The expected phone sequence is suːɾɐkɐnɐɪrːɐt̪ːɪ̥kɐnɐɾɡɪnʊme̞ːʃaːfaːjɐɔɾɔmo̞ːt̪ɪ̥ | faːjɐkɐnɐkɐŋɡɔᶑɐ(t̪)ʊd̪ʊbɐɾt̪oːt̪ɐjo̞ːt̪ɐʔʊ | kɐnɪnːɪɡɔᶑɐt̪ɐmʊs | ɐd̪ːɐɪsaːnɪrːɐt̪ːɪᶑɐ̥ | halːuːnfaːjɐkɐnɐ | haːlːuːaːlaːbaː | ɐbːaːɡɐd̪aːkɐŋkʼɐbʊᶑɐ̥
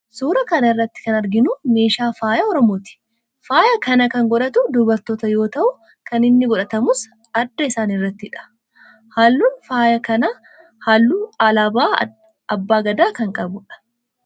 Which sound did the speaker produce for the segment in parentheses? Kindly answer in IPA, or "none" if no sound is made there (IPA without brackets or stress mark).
t̪